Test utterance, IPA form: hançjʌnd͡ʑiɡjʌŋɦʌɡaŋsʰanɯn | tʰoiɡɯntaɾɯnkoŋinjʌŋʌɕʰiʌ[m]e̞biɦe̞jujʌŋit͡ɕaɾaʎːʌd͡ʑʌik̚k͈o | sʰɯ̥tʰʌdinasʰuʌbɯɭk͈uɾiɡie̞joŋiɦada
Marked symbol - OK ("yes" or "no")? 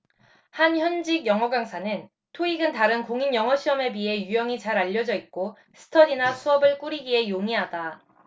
yes